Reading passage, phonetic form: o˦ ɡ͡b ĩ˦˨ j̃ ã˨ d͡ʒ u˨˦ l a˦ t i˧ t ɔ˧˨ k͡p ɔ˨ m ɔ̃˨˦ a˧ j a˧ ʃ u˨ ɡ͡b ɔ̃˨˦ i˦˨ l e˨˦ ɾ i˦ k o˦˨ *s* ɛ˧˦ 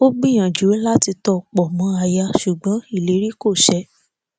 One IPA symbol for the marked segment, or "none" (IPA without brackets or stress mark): ʃ